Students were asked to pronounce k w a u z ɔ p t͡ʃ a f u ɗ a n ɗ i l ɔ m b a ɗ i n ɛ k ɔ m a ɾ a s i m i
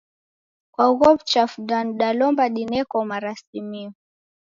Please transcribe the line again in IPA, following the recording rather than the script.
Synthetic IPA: k w a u ɣ ɔ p t͡ʃ a f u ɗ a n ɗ a l ɔ m b a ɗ i n ɛ k ɔ m a ɾ a s i m i